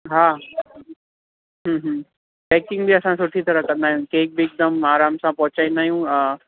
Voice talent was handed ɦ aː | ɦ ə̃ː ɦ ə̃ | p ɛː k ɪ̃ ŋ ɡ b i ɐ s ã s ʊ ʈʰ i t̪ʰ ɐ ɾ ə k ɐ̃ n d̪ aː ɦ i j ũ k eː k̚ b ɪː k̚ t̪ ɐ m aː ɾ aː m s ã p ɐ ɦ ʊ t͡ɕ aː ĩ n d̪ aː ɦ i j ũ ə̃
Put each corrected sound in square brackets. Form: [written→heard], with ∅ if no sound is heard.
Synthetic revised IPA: ɦ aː | ɦ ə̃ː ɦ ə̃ | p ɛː k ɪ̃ ŋ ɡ b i ɐ s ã s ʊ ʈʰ i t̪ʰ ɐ ɾ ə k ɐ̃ n d̪ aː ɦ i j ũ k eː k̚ b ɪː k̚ [t̪→d̪] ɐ m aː ɾ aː m s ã p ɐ ɦ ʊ t͡ɕ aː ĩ n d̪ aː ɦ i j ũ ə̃